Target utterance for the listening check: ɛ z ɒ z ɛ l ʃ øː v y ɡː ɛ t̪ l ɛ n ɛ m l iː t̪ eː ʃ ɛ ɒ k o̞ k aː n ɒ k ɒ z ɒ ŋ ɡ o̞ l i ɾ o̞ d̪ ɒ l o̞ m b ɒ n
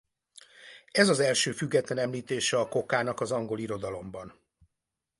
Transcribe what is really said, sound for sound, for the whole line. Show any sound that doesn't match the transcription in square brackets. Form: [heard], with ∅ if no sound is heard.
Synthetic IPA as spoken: ɛ z ɒ z ɛ l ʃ øː [f] y ɡː ɛ t̪ l ɛ n ɛ m l iː t̪ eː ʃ ɛ ɒ k o̞ k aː n ɒ k ɒ z ɒ ŋ ɡ o̞ l i ɾ o̞ d̪ ɒ l o̞ m b ɒ n